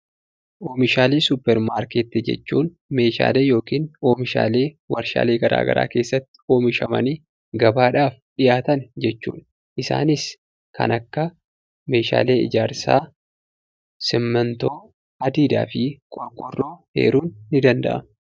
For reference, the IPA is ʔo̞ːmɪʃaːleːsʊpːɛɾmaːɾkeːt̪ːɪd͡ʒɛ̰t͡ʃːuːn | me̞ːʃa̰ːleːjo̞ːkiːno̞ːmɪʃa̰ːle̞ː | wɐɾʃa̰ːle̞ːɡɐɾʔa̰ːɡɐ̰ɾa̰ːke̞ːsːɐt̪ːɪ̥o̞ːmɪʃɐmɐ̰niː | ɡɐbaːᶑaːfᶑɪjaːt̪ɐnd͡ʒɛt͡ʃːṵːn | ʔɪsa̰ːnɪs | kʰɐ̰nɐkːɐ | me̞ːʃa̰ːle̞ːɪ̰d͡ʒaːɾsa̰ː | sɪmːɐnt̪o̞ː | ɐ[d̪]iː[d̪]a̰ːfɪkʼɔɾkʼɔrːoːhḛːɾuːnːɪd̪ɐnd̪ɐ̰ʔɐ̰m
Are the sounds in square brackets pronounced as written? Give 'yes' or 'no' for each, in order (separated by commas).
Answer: yes, yes